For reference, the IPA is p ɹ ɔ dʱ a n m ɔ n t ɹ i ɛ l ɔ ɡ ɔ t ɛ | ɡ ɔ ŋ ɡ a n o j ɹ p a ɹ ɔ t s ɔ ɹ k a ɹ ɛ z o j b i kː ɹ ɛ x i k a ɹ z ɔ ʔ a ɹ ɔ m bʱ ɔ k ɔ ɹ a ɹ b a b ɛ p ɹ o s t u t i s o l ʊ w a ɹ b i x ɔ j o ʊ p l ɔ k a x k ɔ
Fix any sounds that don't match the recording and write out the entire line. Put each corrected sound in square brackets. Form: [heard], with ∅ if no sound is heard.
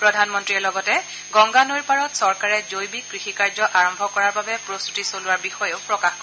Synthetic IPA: p ɹ ɔ dʱ a n m ɔ n t ɹ i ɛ l ɔ ɡ ɔ t ɛ | ɡ ɔ ŋ ɡ a n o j ɹ p a ɹ ɔ t s ɔ ɹ k a ɹ ɛ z o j b i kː ɹ [i] x i k a ɹ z ɔ ʔ a ɹ ɔ m bʱ ɔ k ɔ ɹ a ɹ b a b ɛ p ɹ o s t u t i s o l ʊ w a ɹ b i x ɔ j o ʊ p [ɹ] ɔ k a x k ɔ